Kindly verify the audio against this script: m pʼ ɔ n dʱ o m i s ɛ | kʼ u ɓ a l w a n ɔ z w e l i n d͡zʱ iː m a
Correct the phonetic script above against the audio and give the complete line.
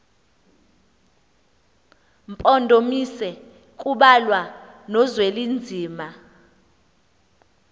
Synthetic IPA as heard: m pʼ ɔ n dʱ o m i s ɛ | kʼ u ɓ a l w a n ɔ z w e l i n d͡zʱ iː m a

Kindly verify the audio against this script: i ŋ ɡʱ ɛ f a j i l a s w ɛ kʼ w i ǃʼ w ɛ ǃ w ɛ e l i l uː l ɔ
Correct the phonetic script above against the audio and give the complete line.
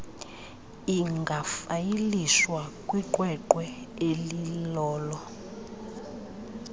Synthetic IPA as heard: i ŋ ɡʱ a f a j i l i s w a kʼ w i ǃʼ w ɛ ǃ w ɛ e l i l ɔː l ɔ

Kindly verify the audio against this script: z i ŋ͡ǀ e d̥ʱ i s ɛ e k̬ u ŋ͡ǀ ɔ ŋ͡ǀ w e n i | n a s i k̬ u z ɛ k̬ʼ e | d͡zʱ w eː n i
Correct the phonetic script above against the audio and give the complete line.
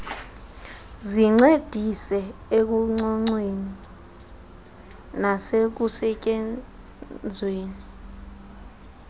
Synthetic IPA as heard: z i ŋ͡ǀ e d̥ʱ i s ɛ e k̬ u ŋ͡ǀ ɔ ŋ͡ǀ w e n i | n a s e k̬ u s ɛ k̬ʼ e | d͡zʱ w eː n i

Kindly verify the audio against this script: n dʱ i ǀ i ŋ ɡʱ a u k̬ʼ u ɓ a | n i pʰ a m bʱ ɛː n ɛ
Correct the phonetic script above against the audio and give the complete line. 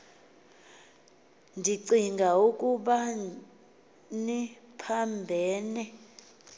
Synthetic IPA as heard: n dʱ i ǀ i ŋ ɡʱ a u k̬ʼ u ɓ a | n i pʰ a m bʱ ɛː n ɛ

